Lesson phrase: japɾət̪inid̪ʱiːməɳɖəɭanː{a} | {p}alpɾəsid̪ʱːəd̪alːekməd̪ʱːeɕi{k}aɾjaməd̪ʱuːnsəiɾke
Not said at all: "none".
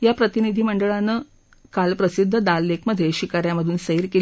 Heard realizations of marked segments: ə, k, k

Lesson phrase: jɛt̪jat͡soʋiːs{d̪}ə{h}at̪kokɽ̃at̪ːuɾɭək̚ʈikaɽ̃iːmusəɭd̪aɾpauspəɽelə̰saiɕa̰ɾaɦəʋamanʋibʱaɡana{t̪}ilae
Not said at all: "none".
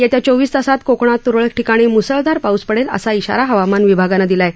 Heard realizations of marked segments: t̪, s, d̪

